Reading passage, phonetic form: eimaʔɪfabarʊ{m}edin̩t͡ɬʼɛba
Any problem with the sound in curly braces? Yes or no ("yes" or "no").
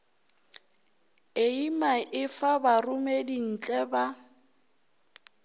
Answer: no